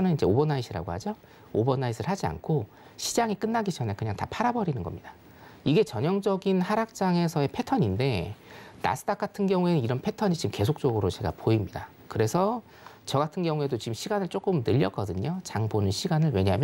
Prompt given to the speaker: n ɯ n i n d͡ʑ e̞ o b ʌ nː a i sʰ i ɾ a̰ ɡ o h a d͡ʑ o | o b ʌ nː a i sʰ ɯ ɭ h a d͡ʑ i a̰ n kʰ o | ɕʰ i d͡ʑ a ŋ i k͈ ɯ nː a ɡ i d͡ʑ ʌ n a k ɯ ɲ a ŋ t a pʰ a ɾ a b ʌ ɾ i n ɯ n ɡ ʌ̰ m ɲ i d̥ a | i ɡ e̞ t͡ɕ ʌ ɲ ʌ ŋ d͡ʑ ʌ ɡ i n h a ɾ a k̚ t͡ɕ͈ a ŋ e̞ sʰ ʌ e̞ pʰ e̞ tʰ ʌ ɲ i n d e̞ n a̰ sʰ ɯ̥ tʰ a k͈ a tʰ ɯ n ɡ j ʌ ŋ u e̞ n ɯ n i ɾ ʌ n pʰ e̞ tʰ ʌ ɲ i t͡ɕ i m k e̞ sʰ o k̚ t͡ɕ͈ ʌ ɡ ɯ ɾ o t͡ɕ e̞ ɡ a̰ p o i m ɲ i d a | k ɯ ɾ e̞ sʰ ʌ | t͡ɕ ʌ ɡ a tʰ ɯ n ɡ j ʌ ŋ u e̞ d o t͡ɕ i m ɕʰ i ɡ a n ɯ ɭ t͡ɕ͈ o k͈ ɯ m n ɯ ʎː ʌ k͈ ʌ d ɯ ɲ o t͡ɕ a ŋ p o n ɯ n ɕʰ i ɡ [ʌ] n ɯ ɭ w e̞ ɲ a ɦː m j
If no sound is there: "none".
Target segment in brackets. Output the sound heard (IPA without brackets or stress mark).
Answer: a